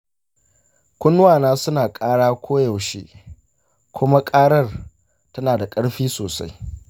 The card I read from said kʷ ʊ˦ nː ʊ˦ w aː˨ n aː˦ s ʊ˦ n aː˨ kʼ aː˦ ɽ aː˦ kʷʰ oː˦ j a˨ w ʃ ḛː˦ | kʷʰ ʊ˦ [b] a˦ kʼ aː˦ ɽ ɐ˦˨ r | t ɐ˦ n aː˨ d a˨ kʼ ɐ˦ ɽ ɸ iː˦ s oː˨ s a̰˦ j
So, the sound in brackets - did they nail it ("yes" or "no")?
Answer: no